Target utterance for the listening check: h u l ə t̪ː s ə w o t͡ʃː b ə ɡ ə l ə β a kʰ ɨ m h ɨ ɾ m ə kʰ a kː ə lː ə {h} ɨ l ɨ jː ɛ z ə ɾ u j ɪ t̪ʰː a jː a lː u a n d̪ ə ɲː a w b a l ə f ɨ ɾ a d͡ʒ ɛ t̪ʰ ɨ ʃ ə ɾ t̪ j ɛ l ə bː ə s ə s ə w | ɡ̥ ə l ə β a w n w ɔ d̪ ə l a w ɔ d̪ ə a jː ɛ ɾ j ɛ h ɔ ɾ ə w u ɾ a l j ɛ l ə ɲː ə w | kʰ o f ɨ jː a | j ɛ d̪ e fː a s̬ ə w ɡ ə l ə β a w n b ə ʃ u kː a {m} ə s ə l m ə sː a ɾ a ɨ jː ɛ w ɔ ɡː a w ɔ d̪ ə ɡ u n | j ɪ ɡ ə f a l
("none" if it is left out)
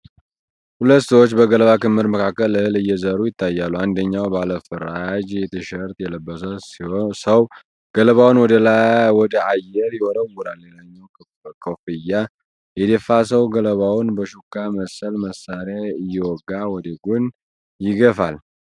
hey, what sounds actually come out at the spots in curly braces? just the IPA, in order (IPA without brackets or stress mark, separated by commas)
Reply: h, m